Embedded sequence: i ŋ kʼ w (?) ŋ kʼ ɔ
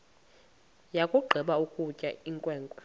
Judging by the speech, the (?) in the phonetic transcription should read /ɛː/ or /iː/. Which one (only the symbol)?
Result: ɛː